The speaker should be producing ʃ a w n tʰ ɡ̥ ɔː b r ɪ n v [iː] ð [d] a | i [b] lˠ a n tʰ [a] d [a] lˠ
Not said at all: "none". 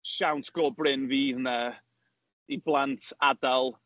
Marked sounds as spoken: iː, n, b, a, a

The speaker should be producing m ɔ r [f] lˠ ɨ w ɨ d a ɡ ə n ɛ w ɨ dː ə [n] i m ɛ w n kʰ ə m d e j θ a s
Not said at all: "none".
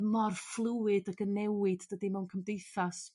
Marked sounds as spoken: f, d

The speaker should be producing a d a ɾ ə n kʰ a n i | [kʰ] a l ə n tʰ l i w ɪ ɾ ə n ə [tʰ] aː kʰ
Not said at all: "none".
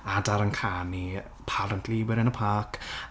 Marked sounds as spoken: pʰ, pʰ

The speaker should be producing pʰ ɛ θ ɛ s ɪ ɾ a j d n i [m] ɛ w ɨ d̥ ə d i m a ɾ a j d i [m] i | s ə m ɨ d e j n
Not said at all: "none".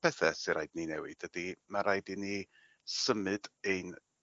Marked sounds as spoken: n, n

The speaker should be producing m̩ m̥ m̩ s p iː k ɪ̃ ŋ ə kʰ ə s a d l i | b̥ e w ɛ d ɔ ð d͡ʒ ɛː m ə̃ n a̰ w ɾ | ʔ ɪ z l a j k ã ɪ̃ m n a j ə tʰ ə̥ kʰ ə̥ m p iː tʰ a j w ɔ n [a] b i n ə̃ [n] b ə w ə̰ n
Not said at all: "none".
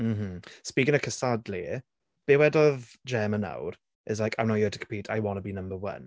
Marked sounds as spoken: ə, m

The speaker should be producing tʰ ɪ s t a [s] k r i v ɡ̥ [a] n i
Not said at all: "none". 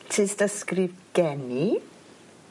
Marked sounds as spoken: s, ɛ

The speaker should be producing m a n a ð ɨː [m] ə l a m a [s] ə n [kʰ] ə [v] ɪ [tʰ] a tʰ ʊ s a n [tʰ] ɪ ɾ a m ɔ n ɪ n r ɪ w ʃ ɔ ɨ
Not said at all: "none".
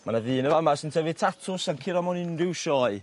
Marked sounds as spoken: n, s, tʰ, v, tʰ, kʰ

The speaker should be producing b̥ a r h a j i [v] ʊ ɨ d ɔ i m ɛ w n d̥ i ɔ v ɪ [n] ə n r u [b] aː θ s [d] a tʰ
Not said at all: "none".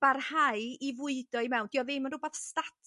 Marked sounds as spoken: v, m, b, t

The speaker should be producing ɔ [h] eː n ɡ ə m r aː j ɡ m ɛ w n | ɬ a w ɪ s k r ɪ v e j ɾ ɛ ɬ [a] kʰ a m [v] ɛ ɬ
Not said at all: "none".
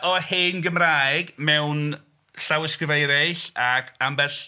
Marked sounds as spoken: h, a, b

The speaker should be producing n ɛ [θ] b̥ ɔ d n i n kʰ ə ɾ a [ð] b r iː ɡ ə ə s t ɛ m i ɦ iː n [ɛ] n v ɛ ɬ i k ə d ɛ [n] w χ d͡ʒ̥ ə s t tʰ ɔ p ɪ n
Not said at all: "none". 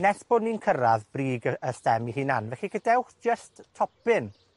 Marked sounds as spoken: s, ð, a, none

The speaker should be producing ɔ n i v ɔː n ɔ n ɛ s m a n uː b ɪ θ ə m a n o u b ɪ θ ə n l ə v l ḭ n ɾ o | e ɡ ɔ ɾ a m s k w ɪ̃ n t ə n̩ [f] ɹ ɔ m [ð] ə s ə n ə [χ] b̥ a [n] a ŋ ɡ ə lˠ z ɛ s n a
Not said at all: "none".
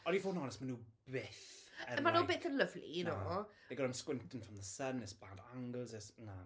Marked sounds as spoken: f, ð, s, d

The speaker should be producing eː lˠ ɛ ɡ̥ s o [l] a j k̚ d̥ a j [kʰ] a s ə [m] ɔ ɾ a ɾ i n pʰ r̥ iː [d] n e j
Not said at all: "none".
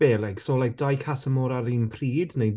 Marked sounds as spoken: l, kʰ, m, d

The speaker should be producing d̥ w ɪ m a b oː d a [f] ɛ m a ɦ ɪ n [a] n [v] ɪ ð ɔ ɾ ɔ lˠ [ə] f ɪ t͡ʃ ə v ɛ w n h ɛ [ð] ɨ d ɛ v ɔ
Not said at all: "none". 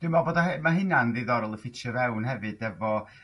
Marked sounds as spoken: none, a, ð, ə, v

